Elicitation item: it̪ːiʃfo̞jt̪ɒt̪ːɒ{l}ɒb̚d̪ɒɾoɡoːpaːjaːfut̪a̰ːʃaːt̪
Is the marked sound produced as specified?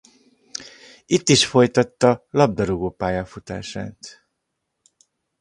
yes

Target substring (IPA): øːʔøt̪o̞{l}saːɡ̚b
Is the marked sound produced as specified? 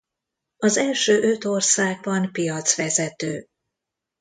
no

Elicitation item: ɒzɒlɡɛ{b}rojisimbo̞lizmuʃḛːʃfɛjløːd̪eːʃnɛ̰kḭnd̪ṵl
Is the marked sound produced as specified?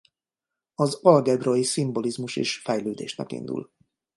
yes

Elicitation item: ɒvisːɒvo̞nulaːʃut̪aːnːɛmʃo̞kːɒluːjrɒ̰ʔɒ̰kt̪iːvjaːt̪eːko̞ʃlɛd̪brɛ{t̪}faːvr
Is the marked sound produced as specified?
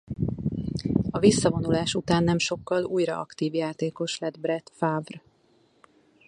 yes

